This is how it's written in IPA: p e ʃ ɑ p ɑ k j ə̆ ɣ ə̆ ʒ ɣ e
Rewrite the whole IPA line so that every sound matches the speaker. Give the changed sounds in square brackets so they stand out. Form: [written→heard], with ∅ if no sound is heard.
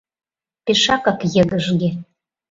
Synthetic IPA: p e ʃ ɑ [p→k] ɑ k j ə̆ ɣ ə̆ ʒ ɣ e